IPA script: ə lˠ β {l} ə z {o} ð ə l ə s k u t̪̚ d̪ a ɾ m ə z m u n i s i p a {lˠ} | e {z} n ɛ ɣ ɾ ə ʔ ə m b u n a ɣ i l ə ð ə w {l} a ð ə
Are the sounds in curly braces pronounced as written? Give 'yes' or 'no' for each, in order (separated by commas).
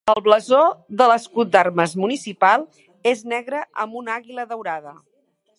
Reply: yes, yes, yes, yes, no